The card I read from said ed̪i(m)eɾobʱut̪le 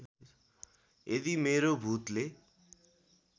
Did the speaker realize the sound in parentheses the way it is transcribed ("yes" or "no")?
yes